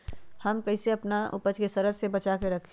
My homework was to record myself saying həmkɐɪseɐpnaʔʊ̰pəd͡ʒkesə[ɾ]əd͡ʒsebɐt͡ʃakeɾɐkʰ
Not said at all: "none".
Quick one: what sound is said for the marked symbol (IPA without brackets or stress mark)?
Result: ɾ